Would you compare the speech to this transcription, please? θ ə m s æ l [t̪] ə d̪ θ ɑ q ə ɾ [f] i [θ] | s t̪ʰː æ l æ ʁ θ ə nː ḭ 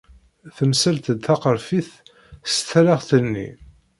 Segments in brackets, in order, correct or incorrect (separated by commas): correct, correct, correct